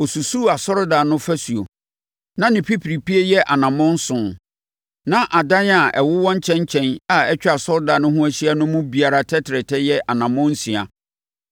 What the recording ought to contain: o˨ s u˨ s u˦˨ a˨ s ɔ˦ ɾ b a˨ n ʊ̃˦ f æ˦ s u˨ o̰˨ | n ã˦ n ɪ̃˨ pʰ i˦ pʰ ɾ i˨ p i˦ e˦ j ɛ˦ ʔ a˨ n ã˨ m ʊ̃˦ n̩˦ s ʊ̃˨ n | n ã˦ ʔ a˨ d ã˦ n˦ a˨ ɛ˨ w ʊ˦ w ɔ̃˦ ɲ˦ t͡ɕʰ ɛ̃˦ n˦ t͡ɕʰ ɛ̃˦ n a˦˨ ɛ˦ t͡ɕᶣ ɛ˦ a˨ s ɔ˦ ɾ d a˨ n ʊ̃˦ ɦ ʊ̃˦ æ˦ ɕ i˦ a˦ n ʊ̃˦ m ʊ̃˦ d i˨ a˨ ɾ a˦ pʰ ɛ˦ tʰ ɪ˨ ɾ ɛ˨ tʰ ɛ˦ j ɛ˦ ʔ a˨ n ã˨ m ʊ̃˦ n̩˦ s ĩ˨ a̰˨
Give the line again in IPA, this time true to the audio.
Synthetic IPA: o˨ s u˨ s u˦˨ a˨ s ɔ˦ ɾ d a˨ n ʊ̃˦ f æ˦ s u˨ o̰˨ | n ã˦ n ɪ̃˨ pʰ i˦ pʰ ɾ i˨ p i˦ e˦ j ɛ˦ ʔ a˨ n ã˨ m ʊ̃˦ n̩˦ s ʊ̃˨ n | n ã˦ ʔ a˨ d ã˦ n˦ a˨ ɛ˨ w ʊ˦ w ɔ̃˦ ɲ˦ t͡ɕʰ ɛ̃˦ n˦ t͡ɕʰ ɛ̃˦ n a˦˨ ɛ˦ t͡ɕᶣ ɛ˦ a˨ s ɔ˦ ɾ d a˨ n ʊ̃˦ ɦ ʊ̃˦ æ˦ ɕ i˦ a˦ n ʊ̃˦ m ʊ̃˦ b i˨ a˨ ɾ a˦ tʰ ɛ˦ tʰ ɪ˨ ɾ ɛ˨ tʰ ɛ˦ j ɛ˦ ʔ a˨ n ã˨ m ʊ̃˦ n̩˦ s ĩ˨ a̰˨